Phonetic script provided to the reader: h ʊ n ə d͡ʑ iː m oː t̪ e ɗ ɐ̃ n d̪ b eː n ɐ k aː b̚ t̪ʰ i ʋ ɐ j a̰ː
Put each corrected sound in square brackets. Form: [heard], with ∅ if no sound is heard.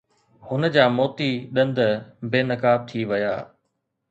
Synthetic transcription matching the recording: h ʊ n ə d͡ʑ [aː] m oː t̪ [i] ɗ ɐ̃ n d̪ b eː n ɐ k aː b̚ t̪ʰ i ʋ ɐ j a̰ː